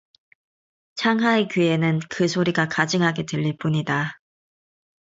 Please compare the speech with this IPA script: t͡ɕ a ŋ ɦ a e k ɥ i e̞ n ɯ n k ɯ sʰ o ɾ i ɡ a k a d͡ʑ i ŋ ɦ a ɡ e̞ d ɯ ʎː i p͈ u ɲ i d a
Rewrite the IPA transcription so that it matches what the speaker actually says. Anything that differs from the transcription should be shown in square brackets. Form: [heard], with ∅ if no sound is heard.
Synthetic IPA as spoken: [t͡ɕʰ] a ŋ ɦ a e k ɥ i e̞ n ɯ n k ɯ sʰ o ɾ i ɡ a k a d͡ʑ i ŋ ɦ a ɡ e̞ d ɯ ʎː i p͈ u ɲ i d a